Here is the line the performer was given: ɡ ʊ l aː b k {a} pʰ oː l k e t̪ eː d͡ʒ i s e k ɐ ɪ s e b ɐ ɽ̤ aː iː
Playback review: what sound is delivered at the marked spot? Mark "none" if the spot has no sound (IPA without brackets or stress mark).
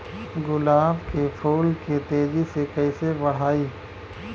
e